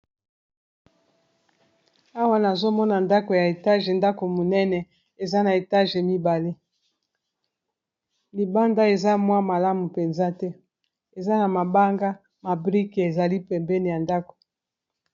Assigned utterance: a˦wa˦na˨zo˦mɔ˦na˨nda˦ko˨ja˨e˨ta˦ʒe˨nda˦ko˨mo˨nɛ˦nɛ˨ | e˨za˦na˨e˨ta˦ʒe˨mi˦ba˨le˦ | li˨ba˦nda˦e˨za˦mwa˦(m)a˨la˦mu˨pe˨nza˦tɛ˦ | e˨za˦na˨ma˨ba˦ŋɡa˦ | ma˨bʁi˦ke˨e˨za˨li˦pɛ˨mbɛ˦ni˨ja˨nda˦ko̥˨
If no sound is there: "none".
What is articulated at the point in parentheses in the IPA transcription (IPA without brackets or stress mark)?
m